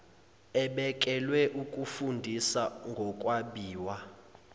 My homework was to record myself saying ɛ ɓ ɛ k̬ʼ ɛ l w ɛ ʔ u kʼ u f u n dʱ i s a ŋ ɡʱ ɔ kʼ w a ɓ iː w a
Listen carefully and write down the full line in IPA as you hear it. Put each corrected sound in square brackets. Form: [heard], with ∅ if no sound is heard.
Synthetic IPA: ɛ ɓ ɛ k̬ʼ ɛ l w ɛ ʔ u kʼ u f u n dʱ i s a ŋ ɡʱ ɔ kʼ w a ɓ iː w a